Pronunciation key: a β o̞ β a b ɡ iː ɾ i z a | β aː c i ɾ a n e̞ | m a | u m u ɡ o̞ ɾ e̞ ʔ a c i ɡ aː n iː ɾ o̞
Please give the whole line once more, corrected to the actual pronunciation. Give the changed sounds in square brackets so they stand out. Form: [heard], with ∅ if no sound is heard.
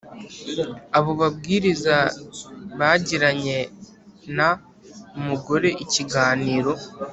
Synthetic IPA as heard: a β o̞ β a b ɡ iː ɾ i z a | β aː [ɟ] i ɾ a [ɲ] e̞ | [n] a | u m u ɡ o̞ ɾ e̞ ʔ [i] c i ɡ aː n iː ɾ o̞